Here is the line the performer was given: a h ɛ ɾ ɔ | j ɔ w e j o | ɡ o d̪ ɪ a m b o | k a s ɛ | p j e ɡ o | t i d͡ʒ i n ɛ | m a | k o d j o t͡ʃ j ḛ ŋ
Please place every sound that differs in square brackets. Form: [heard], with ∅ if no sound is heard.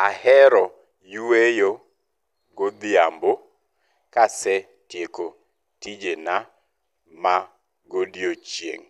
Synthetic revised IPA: a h ɛ ɾ ɔ | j [u] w e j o | ɡ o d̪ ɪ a m b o | k a s ɛ | [t] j e [k] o | t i d͡ʒ [e] n [a] | m a | [ɡ] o d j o t͡ʃ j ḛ ŋ